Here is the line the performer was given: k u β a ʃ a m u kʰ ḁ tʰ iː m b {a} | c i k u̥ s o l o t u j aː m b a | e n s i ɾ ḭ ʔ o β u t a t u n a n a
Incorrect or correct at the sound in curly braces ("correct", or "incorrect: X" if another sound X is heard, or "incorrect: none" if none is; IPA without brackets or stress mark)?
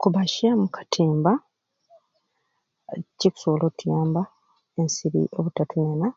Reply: correct